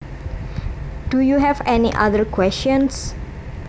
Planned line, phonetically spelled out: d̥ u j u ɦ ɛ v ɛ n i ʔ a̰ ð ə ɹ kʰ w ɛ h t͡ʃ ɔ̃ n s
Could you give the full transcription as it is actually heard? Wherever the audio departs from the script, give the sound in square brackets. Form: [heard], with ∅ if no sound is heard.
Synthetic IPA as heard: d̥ u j u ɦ ɛ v ɛ n i ʔ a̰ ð ə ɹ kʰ w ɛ [s] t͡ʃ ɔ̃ n s

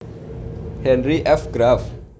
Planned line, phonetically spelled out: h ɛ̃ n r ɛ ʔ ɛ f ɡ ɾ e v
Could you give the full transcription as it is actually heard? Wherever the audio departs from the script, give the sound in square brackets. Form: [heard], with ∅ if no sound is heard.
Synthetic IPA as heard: h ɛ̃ n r [i] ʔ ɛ f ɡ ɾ [a] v

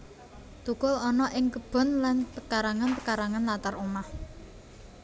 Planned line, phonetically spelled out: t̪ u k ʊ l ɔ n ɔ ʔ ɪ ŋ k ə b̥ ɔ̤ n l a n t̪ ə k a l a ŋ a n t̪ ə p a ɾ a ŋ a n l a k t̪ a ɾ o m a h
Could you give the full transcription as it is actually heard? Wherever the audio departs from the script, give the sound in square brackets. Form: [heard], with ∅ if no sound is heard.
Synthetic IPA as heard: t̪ u k ʊ l ɔ n ɔ ʔ ɪ ŋ k ə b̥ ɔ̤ n l a n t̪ ə k a [ɾ] a ŋ a n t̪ ə [k] a ɾ a ŋ a n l a [∅] t̪ a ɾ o m a h

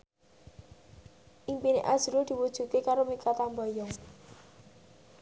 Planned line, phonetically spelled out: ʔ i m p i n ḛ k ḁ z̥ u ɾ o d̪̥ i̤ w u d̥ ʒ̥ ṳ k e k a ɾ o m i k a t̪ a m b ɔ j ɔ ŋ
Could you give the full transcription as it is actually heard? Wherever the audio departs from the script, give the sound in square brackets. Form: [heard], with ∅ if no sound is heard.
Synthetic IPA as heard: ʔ i m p i n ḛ [ʔ] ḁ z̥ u ɾ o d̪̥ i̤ w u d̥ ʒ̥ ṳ k e k a ɾ o m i k a t̪ a m b ɔ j ɔ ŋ

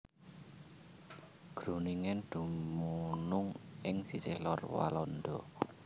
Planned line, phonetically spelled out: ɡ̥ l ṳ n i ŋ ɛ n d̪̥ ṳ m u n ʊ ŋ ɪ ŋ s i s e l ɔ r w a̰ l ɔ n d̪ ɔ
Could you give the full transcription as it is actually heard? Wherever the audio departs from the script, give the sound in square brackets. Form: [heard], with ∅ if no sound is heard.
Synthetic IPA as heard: ɡ̥ [ɾ] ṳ n i ŋ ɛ n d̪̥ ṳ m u n ʊ ŋ ɪ ŋ s i s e l ɔ r w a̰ l ɔ n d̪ ɔ

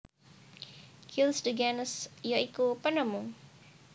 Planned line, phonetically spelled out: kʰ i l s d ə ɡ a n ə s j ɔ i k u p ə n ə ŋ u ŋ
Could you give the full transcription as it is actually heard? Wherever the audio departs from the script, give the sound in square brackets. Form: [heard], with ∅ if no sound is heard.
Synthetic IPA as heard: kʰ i l s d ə ɡ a n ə s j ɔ i k u p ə n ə [m] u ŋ

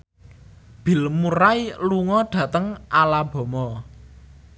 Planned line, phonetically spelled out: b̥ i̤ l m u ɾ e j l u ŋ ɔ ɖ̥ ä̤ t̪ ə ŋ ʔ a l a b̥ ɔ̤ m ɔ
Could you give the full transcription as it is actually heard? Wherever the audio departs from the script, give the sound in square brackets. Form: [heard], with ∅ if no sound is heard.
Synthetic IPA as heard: b̥ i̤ l m u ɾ [a] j l u ŋ ɔ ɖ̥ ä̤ t̪ ə ŋ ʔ a l a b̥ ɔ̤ m ɔ

